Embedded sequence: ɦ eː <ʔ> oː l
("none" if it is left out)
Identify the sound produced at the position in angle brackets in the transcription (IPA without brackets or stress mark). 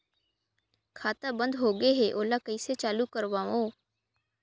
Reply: ʔ